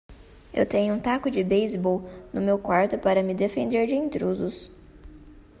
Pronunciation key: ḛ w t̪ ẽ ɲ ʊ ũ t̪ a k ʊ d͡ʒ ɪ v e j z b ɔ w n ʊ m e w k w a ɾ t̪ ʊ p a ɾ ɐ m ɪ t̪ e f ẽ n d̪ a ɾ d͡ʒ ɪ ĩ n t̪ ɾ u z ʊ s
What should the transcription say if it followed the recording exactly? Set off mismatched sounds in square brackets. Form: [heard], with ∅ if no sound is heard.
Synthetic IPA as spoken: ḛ w t̪ ẽ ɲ ʊ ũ t̪ a k ʊ d͡ʒ ɪ [b] e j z b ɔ w n ʊ m e w k w a ɾ t̪ ʊ p a ɾ ɐ m ɪ [d̪] e f ẽ n d̪ [e] ɾ d͡ʒ ɪ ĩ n t̪ ɾ u z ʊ s